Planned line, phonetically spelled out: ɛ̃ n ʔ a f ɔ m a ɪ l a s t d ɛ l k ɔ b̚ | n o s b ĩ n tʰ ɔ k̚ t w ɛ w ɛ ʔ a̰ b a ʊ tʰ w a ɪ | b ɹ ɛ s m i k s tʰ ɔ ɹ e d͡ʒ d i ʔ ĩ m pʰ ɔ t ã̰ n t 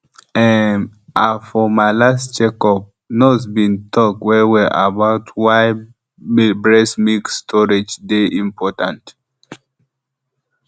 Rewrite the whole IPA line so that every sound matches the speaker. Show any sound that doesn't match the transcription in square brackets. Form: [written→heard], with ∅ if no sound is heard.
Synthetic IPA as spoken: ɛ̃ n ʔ a f ɔ m a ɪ l a s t [d→d͡ʒ] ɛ [l→∅] k ɔ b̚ | n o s b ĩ n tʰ ɔ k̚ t w ɛ w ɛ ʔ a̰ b a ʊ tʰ w a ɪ | b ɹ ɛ s m i k s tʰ ɔ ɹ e d͡ʒ d [i→e] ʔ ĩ m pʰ ɔ t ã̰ n t